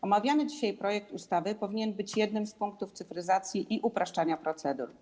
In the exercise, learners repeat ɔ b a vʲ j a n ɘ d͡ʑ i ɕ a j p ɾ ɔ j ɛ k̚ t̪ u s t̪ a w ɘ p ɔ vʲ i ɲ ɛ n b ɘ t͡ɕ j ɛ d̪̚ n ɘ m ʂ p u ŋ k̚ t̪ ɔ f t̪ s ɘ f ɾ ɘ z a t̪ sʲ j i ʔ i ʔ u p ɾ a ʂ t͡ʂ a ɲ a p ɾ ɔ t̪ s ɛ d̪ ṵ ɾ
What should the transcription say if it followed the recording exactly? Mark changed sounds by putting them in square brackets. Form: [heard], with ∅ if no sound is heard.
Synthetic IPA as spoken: ɔ [m] a vʲ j a n ɘ d͡ʑ i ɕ a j p ɾ ɔ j ɛ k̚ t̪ u s t̪ a [v] ɘ p ɔ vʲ i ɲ ɛ n b ɘ t͡ɕ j ɛ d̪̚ n ɘ m [s] p u ŋ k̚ t̪ [u] f t̪ s ɘ f ɾ ɘ z a t̪ sʲ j i ʔ i ʔ u p ɾ a ʂ t͡ʂ a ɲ a p ɾ ɔ t̪ s ɛ d̪ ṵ ɾ